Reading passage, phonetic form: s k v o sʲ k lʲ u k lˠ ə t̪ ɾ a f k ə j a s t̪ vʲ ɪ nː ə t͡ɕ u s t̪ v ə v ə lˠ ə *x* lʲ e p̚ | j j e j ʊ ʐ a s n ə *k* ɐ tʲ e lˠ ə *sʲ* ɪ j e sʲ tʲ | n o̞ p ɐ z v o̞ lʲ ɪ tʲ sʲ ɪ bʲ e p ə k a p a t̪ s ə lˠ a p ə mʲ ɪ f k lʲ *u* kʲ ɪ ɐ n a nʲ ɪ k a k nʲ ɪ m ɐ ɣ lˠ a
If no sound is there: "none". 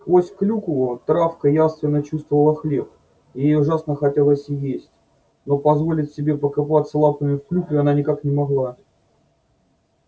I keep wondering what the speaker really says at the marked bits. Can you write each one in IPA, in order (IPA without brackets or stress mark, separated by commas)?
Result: x, x, sʲ, u